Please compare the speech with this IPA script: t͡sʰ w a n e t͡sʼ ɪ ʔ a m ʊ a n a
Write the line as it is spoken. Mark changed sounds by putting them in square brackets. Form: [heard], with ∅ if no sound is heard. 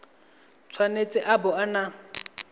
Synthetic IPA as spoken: t͡sʰ w a n e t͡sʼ ɪ ʔ a [b] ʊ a n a